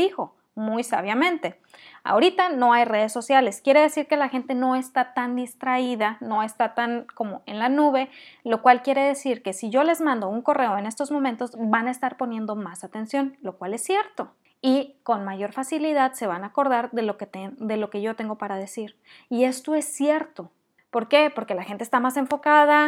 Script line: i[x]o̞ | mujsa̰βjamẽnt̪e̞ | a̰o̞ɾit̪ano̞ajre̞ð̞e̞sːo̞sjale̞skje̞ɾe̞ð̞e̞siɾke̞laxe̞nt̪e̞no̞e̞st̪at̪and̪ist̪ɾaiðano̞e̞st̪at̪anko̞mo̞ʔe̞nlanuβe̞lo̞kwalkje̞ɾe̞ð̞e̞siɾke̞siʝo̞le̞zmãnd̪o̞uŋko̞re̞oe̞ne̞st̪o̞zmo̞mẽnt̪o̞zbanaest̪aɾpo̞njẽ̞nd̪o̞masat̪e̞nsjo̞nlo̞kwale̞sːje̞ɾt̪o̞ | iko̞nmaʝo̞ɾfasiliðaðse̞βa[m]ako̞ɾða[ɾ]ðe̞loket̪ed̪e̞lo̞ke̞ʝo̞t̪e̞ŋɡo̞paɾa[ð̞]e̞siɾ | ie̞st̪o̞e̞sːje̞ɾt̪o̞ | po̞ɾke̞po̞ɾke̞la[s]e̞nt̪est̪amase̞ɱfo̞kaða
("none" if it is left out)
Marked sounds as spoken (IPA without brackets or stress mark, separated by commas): x, n, ɾ, ð̞, x